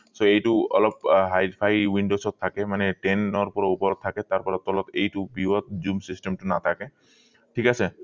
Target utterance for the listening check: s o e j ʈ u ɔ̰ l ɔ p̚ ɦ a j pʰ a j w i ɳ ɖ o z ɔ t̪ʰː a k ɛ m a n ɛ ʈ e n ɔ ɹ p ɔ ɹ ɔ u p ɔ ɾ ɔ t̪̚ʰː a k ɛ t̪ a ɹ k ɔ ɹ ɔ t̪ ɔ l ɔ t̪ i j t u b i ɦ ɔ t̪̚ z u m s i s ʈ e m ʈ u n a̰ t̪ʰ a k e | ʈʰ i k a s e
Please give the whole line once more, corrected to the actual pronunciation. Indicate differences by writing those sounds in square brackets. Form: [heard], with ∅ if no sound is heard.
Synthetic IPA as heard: s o e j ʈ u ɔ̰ l ɔ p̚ ɦ a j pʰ a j w i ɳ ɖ o [s] ɔ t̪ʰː a k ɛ m a n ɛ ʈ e n ɔ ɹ p ɔ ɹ ɔ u p ɔ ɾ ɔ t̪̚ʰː a k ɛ t̪ a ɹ [p] ɔ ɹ ɔ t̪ ɔ l ɔ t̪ [e] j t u b i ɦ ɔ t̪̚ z u m s i s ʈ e m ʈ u n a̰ t̪ʰ a k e | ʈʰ i k a s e